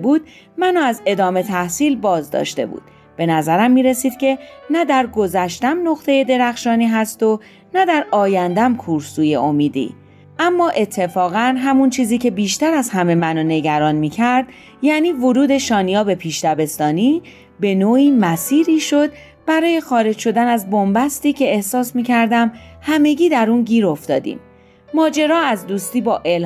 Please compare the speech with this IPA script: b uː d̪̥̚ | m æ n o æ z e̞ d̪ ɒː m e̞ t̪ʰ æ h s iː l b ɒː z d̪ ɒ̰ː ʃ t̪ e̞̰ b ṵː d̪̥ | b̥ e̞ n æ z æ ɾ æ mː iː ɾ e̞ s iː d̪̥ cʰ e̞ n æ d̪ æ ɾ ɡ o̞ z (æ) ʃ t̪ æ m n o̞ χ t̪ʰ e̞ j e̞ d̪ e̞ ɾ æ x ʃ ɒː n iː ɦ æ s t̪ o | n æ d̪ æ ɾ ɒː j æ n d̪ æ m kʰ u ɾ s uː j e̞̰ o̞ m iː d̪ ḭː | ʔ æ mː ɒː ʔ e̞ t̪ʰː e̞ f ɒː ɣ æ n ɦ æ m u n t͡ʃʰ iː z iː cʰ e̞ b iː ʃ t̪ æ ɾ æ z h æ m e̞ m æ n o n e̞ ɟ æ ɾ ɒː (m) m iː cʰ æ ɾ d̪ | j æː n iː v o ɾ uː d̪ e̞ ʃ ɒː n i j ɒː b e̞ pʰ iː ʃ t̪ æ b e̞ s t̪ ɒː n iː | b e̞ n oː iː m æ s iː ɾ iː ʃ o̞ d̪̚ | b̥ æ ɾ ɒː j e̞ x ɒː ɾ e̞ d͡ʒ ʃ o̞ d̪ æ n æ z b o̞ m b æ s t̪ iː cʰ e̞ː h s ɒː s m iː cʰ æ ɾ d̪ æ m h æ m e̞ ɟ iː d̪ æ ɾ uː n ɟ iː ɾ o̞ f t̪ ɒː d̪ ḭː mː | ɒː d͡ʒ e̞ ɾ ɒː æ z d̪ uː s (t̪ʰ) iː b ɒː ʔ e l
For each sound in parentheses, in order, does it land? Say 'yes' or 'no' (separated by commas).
yes, no, no